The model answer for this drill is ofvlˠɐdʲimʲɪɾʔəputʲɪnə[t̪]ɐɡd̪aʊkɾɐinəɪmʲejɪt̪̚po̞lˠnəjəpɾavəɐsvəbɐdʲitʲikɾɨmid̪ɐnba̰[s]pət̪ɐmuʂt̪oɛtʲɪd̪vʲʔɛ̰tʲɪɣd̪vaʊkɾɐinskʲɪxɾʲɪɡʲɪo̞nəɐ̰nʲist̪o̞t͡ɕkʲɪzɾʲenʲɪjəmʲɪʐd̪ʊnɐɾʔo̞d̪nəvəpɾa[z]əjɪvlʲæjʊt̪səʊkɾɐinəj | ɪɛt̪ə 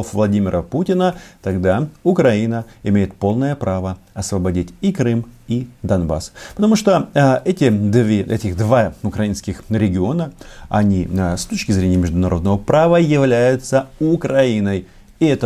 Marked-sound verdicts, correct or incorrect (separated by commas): correct, correct, incorrect